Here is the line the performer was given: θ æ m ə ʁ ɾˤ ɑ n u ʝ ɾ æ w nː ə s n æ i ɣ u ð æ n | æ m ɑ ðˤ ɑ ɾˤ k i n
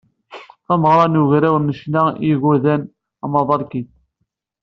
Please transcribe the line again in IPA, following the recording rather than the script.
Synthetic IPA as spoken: θ æ m ə ʁ ɾˤ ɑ n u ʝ ɾ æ w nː ə ʃ n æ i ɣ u ð æ n | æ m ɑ ðˤ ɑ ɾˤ k i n